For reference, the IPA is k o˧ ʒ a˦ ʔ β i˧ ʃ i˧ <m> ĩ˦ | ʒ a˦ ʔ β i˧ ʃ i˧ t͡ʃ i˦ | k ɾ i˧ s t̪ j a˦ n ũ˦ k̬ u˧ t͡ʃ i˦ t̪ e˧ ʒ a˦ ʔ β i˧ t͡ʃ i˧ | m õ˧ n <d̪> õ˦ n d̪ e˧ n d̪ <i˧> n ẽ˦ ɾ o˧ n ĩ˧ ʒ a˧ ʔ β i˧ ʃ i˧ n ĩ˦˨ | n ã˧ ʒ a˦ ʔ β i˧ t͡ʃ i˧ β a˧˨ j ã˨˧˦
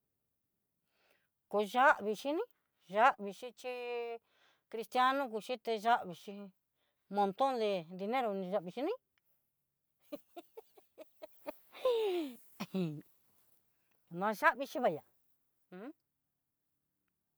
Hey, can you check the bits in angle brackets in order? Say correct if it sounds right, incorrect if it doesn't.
incorrect, incorrect, correct

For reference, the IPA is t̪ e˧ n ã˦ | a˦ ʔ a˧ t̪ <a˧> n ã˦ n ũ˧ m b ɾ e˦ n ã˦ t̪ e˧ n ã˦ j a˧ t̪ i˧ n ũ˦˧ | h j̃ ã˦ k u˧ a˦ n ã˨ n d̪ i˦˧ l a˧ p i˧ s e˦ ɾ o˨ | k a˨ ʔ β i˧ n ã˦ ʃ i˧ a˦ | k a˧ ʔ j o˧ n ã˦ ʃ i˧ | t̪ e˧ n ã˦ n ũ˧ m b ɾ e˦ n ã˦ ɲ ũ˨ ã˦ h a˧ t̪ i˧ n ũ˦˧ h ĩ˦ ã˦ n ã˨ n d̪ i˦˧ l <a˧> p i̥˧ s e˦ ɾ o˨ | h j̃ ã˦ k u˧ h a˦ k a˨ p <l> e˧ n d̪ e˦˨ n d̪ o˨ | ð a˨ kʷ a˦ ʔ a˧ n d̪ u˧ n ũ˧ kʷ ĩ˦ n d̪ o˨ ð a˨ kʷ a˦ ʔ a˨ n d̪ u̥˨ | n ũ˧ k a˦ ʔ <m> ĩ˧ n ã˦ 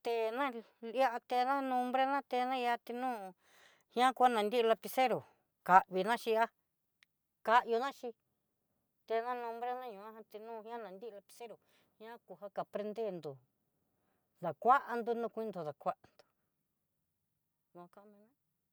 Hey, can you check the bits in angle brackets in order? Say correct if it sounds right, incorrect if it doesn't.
incorrect, correct, incorrect, correct

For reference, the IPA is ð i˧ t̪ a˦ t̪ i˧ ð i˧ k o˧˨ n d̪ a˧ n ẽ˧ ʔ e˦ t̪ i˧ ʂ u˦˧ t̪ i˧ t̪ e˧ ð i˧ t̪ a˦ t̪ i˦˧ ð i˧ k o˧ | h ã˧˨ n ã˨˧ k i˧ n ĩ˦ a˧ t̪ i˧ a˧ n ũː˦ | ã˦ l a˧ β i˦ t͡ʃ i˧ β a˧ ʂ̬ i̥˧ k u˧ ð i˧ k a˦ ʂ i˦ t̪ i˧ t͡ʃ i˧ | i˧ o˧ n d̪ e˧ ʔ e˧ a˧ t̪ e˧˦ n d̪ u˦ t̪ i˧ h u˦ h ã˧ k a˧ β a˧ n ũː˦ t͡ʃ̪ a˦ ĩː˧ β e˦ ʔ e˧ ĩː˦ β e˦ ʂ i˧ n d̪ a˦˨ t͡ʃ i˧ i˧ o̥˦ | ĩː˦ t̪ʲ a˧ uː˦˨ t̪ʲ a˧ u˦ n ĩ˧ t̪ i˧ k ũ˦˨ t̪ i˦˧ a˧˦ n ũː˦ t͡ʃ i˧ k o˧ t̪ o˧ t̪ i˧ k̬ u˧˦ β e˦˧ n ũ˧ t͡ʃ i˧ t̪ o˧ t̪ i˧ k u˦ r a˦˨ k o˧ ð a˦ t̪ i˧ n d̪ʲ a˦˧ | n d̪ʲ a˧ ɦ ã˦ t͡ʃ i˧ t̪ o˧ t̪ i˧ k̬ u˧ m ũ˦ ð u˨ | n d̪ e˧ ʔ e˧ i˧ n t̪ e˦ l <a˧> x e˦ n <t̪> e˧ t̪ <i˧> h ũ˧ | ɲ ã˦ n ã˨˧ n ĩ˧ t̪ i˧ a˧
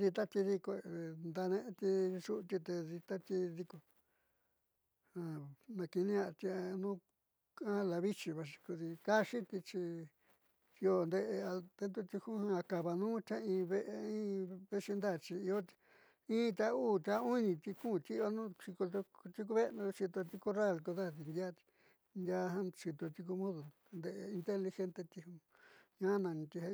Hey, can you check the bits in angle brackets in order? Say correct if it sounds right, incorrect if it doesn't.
incorrect, correct, correct

